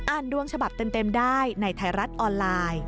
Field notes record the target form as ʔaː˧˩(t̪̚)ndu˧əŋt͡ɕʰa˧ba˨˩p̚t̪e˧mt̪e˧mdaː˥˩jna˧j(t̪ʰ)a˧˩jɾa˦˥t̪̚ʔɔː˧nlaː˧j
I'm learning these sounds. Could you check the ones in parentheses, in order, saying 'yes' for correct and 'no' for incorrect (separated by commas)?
no, yes